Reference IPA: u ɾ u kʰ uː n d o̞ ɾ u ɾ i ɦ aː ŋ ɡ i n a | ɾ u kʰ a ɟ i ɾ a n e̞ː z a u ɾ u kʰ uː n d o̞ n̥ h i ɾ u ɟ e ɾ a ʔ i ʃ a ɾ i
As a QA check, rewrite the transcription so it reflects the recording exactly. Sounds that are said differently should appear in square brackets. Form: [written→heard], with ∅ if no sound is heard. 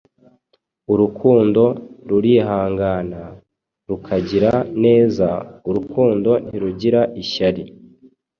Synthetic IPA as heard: u ɾ u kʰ uː n d o̞ ɾ u ɾ i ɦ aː ŋ ɡ [i→a] n a | ɾ u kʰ a ɟ i ɾ a n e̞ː z a u ɾ u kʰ uː n d o̞ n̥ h i ɾ u ɟ [e→i] ɾ a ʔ i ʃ a ɾ i

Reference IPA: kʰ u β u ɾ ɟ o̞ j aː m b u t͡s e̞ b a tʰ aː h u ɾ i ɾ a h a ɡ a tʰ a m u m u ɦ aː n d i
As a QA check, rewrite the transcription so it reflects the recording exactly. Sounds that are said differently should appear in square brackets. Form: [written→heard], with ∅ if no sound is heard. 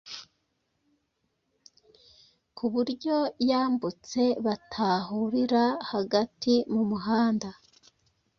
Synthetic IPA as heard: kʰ u β u ɾ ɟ o̞ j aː m b u t͡s e̞ [b→β] a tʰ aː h u ɾ i ɾ a h a ɡ a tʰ [a→i] m u m u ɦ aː n d [i→a]

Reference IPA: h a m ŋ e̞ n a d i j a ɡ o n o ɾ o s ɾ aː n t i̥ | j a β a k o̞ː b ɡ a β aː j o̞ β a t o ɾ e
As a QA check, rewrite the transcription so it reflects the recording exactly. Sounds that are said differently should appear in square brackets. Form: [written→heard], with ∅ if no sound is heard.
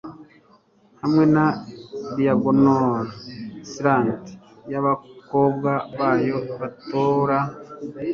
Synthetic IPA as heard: h a m ŋ e̞ n a d i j a ɡ o n o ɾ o s ɾ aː n t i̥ | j a β a k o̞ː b ɡ a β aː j o̞ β a t o ɾ [e→a]

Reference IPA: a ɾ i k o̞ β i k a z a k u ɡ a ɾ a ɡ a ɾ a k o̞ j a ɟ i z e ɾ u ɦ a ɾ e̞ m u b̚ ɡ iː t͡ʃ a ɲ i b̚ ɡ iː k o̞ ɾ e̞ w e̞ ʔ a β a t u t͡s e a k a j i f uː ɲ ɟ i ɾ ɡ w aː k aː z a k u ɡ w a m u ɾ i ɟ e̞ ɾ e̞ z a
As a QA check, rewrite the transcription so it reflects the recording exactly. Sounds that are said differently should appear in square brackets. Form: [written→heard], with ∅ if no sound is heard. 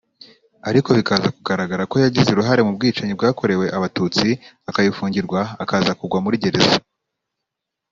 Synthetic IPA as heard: a ɾ i k o̞ β i k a z a k u ɡ a ɾ a ɡ a ɾ a k o̞ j a ɟ i z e ɾ u ɦ a ɾ e̞ m u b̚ ɡ iː t͡ʃ a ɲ i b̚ ɡ [iː→aː] k o̞ ɾ e̞ w e̞ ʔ a β a t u t͡s [e→i] a k a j i f uː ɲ ɟ i ɾ ɡ w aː k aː z a k u ɡ w a m u ɾ i ɟ e̞ ɾ e̞ z a

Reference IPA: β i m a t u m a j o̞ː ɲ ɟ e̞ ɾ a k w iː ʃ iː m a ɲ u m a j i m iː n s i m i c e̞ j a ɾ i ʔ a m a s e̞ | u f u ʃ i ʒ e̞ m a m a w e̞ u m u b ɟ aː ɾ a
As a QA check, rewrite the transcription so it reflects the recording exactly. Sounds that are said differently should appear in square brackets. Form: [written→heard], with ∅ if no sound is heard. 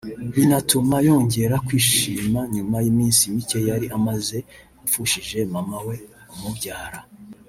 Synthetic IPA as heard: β i [m→n] a t u m a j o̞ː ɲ ɟ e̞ ɾ a k w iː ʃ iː m a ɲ u m a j i m iː n s i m i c e̞ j a ɾ i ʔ a m a [s→z] e̞ | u f u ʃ i ʒ e̞ m a m a w e̞ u m u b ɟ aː ɾ a

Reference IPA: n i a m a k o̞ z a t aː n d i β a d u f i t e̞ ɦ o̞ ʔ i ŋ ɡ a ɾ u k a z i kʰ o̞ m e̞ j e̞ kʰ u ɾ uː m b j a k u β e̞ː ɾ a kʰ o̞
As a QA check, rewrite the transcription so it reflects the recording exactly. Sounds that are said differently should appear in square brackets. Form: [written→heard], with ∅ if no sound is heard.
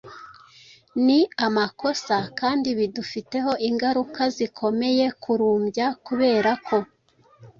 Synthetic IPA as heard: n i a m a k o̞ [z→s] a [t→k] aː n d i β [a→i] d u f i t e̞ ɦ o̞ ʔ i ŋ ɡ a ɾ u k a z i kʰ o̞ m e̞ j e̞ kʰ u ɾ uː m b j a k u β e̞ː ɾ a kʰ o̞

